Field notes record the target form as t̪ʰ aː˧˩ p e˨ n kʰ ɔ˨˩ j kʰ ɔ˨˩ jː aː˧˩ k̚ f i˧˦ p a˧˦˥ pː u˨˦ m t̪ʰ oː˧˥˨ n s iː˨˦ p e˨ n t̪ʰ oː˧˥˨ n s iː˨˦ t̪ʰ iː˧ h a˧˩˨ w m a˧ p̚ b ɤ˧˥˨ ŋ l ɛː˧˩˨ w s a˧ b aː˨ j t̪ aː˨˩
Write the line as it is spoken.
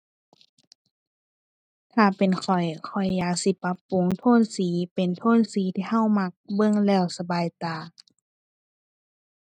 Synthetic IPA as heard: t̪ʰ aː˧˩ p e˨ n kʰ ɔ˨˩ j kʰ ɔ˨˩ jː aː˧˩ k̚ s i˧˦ p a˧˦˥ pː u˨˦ ŋ t̪ʰ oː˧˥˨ n s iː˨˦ p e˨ n t̪ʰ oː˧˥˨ n s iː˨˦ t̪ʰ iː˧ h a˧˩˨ w m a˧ k̚ b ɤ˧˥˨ ŋ l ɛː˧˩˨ w s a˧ b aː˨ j t̪ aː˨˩